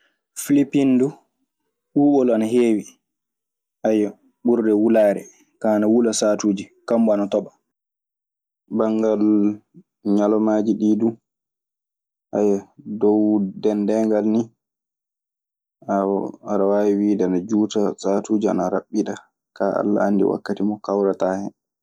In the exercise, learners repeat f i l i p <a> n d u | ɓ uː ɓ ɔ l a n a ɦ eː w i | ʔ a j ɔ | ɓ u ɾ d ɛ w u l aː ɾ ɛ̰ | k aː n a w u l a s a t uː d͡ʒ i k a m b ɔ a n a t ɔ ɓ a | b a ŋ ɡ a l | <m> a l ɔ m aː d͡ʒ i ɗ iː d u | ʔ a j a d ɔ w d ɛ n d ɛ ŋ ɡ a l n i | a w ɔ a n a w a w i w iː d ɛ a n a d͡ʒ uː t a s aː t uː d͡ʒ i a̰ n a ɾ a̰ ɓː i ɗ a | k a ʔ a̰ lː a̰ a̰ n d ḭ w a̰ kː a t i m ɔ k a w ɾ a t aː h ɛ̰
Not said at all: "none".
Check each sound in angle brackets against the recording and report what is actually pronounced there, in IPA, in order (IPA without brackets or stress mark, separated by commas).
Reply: i, ɲ